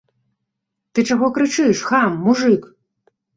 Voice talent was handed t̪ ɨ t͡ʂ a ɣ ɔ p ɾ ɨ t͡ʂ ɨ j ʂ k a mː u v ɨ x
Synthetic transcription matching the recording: t̪ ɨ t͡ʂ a ɣ ɔ k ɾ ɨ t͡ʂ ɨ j ʂ x a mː u ʐ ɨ k

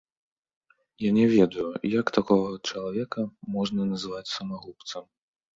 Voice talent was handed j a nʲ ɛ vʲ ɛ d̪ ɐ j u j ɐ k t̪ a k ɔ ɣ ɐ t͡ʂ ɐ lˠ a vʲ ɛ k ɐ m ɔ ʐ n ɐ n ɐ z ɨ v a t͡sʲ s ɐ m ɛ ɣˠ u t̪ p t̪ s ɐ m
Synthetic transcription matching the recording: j a nʲ ɛ vʲ ɛ d̪ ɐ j u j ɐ k t̪ a k ɔ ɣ ɐ t͡ʂ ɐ lˠ a vʲ ɛ k ɐ m ɔ ʐ n ɐ n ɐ z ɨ v a t͡sʲ s ɐ m a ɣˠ u p t̪ s ɐ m

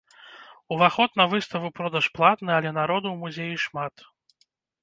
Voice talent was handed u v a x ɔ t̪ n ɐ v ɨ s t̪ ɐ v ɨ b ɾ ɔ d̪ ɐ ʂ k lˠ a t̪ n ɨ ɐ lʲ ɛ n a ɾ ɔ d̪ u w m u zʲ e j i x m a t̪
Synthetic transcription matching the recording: u v a x ɔ t̪ n ɐ v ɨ s t̪ ɐ v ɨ p ɾ ɔ d̪ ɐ ʂ p lˠ a t̪ n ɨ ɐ lʲ ɛ n a ɾ ɔ d̪ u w m u zʲ e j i ʂ m a t̪

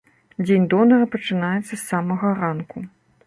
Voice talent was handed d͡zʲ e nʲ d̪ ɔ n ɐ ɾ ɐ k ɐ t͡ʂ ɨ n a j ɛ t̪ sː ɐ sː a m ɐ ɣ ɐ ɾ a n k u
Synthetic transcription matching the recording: d͡zʲ e nʲ d̪ ɔ n ɐ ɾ ɐ p ɐ t͡ʂ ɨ n a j ɛ t̪ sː ɐ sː a m ɐ ɣ ɐ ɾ a n k u

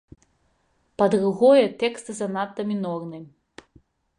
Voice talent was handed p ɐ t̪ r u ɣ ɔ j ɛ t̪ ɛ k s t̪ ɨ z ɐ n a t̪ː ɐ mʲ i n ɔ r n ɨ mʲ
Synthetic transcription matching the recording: p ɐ d̪ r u ɣ ɔ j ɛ t̪ ɛ k s t̪ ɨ z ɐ n a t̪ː ɐ mʲ i n ɔ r n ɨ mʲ

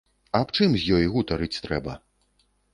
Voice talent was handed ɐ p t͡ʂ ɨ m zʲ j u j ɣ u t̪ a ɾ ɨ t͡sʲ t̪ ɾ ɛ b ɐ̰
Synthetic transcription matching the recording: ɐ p t͡ʂ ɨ m zʲ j ɔ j ɣ u t̪ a ɾ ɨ t͡sʲ t̪ ɾ ɛ b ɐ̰

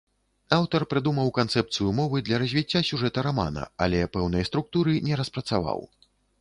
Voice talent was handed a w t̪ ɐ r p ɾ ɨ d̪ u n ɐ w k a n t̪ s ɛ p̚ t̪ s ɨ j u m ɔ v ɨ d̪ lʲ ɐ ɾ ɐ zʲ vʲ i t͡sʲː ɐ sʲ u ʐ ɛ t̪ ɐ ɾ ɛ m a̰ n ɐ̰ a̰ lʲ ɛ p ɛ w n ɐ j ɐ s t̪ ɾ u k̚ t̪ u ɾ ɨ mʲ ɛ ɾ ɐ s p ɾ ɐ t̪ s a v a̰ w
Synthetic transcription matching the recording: a w t̪ ɐ r p ɾ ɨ d̪ u m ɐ w k a n t̪ s ɛ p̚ t̪ s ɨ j u m ɔ v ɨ d̪ lʲ ɐ ɾ ɐ zʲ vʲ i t͡sʲː a sʲ u ʐ ɛ t̪ ɐ ɾ a m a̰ n ɐ̰ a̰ lʲ ɛ p ɛ w n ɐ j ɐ s t̪ ɾ u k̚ t̪ u ɾ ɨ nʲ ɛ ɾ ɐ s p ɾ ɐ t̪ s a v a̰ w

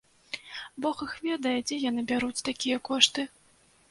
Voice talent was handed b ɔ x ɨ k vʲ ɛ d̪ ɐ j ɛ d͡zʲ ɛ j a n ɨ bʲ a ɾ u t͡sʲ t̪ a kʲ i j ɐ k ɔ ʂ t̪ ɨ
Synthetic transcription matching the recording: b ɔ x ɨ x vʲ ɛ d̪ ɐ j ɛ d͡zʲ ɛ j a n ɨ bʲ a ɾ u t͡sʲ t̪ a kʲ i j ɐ k ɔ ʂ t̪ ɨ

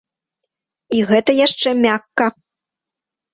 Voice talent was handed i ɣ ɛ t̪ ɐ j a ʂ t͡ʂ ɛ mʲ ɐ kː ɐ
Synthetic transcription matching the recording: i ɣ ɛ t̪ ɐ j a ʂ t͡ʂ ɛ mʲ a kː ɐ

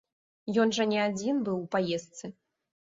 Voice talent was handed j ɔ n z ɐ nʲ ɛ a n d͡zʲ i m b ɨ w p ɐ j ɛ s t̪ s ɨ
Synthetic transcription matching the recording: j ɔ n ʐ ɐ nʲ ɛ a d͡zʲ i n b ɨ w p a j ɛ s t̪ s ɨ

